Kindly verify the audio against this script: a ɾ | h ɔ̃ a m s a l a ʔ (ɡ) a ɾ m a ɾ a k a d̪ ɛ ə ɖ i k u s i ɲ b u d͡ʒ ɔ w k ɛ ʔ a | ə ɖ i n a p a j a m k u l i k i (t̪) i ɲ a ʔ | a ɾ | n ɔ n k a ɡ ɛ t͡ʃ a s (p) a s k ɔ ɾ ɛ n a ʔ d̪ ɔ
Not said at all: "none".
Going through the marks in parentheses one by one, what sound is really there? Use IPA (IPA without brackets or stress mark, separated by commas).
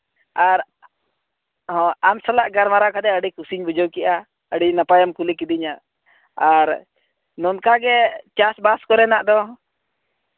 ɡ, d̪, b